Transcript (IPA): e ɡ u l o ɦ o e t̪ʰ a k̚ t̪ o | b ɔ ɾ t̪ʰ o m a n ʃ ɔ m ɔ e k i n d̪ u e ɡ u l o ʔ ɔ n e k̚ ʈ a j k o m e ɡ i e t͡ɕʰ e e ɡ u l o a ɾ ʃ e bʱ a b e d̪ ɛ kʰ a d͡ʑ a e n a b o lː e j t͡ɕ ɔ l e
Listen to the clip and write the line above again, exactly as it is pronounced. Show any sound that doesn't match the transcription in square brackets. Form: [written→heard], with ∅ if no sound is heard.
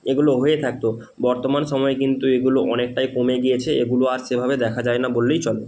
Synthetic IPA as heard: e ɡ u l o ɦ o e t̪ʰ a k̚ t̪ o | b ɔ ɾ [t̪ʰ→t̪] o m a n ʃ ɔ m ɔ e k i n [d̪→t̪] u e ɡ u l o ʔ ɔ n e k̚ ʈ a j k o m e ɡ i e t͡ɕʰ e e ɡ u l o a ɾ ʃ e bʱ a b e d̪ ɛ kʰ a d͡ʑ a e n a b o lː e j t͡ɕ ɔ l e